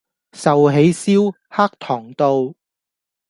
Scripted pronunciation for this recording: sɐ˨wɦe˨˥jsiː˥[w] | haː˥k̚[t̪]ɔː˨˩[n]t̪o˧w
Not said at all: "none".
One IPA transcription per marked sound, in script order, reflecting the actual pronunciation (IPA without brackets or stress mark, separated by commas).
w, t̪ʰ, ŋ